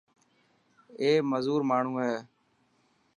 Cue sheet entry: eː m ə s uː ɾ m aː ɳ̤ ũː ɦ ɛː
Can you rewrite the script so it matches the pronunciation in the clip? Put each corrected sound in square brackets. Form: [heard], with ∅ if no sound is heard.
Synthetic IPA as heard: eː m ə [z] uː ɾ m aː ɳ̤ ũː ɦ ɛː